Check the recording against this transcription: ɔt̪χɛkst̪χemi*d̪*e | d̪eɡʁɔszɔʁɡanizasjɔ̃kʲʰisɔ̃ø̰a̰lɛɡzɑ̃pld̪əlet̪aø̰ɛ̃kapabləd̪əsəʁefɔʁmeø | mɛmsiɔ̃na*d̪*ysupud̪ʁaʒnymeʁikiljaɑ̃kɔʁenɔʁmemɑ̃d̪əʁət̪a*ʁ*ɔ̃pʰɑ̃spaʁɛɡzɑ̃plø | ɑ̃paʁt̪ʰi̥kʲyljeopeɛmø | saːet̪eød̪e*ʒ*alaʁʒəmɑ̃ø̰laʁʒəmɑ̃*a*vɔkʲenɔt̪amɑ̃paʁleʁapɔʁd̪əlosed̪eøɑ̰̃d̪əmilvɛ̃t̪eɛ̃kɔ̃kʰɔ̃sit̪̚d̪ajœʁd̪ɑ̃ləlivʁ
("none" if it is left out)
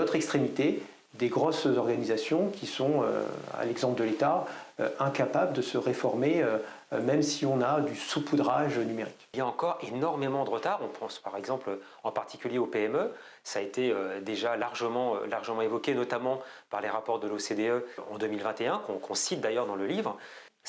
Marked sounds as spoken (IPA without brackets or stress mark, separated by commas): t̪, d̪, ʁ, ʒ, e